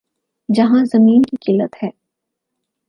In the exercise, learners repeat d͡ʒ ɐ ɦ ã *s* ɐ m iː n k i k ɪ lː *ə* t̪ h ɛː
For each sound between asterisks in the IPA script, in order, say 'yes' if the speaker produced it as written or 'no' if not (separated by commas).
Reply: no, yes